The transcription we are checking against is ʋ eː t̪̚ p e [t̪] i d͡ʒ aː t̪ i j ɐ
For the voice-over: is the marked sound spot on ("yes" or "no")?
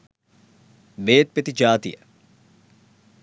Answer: yes